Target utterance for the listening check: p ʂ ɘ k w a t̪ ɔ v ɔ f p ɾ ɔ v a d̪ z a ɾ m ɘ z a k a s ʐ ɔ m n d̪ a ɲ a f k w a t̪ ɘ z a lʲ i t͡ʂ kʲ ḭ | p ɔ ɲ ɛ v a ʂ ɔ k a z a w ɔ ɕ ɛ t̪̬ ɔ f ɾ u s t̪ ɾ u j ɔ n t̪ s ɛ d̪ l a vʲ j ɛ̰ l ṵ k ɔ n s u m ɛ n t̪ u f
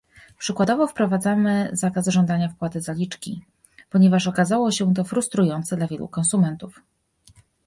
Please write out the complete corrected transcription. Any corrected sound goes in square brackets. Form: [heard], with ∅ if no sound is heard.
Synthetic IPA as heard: p ʂ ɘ k w a [d̪] ɔ v ɔ f p ɾ ɔ v a d̪ z a [∅] m ɘ z a k a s ʐ ɔ [∅] n d̪ a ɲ a f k w a t̪ ɘ z a lʲ i t͡ʂ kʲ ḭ | p ɔ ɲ ɛ v a ʂ ɔ k a z a w ɔ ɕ ɛ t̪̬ ɔ f ɾ u s t̪ ɾ u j ɔ n t̪ s ɛ d̪ l a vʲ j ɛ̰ l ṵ k ɔ n s u m ɛ n t̪ u f